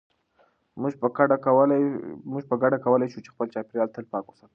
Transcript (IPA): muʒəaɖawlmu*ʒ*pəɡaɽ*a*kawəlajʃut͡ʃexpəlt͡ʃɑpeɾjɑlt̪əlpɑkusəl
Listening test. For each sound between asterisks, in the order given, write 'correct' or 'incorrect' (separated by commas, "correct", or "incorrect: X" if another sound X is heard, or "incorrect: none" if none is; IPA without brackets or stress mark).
correct, correct